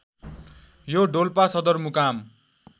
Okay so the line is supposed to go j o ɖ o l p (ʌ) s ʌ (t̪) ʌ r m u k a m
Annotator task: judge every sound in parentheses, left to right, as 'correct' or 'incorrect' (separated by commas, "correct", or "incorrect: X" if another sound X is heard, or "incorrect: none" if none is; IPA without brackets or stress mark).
incorrect: a, incorrect: d̪